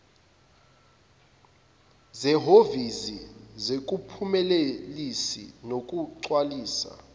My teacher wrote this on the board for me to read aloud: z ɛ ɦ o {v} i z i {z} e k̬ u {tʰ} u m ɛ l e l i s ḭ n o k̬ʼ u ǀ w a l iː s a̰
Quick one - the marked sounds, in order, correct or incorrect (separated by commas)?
correct, correct, incorrect